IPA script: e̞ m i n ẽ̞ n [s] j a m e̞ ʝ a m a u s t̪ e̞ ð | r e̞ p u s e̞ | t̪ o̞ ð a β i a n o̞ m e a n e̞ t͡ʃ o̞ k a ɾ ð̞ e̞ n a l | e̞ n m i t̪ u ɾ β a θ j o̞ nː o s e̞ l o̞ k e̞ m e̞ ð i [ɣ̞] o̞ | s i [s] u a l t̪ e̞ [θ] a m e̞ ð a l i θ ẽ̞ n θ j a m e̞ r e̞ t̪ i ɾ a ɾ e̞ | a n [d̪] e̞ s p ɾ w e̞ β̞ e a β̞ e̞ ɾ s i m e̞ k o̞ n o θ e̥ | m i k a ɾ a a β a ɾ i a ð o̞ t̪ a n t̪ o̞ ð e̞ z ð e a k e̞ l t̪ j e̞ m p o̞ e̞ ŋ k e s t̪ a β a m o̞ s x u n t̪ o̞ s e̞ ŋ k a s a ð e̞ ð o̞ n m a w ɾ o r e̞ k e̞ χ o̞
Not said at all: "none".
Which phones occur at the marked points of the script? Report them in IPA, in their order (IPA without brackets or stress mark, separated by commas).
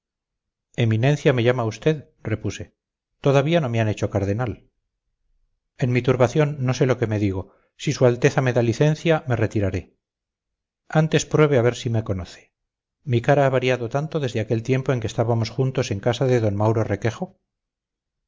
θ, ɣ̞, s, θ, t̪